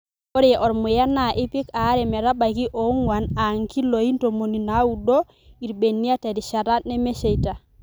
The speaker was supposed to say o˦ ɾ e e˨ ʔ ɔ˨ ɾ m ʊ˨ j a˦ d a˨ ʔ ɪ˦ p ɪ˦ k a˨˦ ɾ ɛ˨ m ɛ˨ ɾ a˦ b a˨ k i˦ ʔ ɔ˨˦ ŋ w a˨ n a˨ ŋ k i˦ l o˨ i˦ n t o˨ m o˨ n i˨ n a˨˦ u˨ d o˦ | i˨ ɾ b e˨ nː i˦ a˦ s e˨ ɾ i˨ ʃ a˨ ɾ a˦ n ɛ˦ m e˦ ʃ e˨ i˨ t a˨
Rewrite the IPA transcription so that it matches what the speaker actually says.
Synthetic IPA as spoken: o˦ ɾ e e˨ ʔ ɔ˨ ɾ m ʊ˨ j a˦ n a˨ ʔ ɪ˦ p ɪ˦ k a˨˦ ɾ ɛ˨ m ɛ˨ ɾ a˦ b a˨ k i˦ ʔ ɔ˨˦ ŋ w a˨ n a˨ ŋ k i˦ l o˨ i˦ n t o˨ m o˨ n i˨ n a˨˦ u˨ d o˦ | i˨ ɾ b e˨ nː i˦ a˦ t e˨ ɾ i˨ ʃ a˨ ɾ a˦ n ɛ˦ m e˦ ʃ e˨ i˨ t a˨